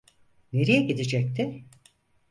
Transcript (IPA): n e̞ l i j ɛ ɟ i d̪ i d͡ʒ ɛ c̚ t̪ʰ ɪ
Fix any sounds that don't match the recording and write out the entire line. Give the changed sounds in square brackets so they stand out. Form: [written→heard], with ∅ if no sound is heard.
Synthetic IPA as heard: n e̞ [l→ɾ] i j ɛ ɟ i d̪ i d͡ʒ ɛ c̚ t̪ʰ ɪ

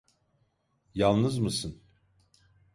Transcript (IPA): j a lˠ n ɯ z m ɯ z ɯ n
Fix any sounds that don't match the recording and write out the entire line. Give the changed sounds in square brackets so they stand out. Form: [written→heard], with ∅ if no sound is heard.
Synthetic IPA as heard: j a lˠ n ɯ z m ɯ [z→s] ɯ n

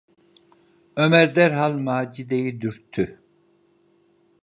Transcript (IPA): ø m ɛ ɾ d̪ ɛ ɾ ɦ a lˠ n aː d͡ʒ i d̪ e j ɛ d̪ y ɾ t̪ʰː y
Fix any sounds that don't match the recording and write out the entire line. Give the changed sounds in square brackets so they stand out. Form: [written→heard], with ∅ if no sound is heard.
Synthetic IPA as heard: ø m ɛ ɾ d̪ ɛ ɾ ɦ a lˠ [n→m] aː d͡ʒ i d̪ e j [ɛ→i] d̪ y ɾ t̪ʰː y

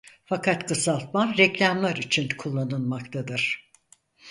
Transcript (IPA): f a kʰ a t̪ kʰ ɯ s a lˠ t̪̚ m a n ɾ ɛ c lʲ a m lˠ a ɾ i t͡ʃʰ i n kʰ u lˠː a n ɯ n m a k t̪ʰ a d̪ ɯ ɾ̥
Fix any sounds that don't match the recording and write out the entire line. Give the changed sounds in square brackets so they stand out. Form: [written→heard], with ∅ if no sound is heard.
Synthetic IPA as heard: f a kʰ a t̪ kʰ ɯ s a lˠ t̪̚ m a n ɾ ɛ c lʲ a m lˠ a ɾ i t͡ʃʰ i n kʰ u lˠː a n ɯ n m a k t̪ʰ a d̪ ɯ ɾ̥

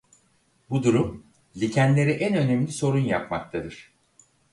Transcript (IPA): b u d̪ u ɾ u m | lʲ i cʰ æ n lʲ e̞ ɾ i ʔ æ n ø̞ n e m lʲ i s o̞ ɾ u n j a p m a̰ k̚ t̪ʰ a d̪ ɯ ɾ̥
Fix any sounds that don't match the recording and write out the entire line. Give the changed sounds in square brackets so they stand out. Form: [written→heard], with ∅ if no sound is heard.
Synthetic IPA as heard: b u d̪ u ɾ u m | lʲ i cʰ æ n lʲ e̞ ɾ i ʔ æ n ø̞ n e m lʲ i s o̞ ɾ u n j a p m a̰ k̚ t̪ʰ a d̪ ɯ ɾ̥

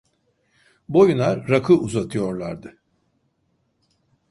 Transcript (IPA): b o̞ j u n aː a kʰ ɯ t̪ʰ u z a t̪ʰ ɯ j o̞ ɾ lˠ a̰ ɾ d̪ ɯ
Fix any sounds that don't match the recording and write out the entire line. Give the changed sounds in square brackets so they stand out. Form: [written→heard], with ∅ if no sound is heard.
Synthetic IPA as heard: b o̞ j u n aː a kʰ ɯ [t̪ʰ→∅] u z a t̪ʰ ɯ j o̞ ɾ lˠ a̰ ɾ d̪ ɯ

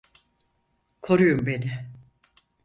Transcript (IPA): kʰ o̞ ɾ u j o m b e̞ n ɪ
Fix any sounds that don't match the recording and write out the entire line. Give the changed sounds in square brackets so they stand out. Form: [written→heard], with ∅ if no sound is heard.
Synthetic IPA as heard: kʰ o̞ ɾ u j [o→u] m b e̞ n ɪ

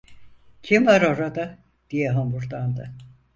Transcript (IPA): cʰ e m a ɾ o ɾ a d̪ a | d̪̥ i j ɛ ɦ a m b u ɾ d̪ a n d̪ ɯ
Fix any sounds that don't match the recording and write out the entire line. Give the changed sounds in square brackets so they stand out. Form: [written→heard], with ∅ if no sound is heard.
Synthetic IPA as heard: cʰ [e→i] m a ɾ o ɾ a d̪ a | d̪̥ i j ɛ ɦ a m b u ɾ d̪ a n d̪ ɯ

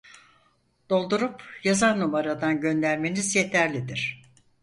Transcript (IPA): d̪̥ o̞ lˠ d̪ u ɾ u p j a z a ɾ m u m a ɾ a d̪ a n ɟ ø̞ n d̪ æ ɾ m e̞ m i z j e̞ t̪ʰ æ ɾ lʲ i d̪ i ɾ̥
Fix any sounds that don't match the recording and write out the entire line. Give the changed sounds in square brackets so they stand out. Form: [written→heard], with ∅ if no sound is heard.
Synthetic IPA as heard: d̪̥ o̞ lˠ d̪ u ɾ u p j a z a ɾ [m→n] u m a ɾ a d̪ a n ɟ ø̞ n d̪ æ ɾ m e̞ [m→n] i z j e̞ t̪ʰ æ ɾ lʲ i d̪ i ɾ̥

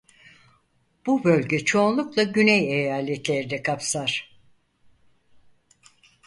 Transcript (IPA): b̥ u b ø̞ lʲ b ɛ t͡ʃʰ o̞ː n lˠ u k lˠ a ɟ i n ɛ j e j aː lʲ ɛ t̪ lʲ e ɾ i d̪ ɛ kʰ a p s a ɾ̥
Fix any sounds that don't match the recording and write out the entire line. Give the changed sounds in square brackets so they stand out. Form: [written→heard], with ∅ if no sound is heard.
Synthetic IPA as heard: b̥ u b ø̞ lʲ [b→ɟ] ɛ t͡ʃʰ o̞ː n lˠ u k lˠ a ɟ [i→y] n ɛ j e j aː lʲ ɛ t̪ lʲ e ɾ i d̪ ɛ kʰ a p s a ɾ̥

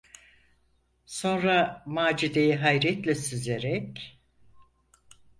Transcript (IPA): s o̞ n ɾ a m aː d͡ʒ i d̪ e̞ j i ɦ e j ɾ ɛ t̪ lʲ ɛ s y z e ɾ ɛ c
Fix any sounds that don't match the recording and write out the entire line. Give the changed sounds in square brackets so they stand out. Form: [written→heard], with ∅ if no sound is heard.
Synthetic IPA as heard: s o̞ n ɾ a m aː d͡ʒ i d̪ e̞ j i ɦ [e→a] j ɾ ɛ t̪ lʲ ɛ s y z e ɾ ɛ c

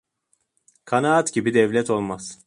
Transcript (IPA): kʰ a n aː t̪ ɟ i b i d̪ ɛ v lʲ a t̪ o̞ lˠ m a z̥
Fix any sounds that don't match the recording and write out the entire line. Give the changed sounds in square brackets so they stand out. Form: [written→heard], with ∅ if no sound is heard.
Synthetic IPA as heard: kʰ a n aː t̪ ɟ i b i d̪ ɛ v lʲ [a→ɛ] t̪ o̞ lˠ m a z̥

